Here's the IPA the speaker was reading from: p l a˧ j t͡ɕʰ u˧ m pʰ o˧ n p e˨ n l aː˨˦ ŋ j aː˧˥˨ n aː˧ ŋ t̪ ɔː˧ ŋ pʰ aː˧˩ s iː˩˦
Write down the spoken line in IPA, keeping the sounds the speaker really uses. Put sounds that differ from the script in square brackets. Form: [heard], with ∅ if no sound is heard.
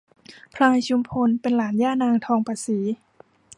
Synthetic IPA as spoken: [pʰ] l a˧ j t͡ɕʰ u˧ m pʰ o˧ n p e˨ n l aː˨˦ [n] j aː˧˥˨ n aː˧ ŋ [t̪ʰ] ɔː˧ ŋ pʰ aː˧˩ s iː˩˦